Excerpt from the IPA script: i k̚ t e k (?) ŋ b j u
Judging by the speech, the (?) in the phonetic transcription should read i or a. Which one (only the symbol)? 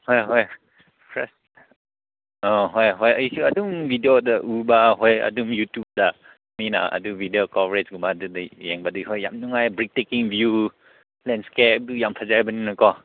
i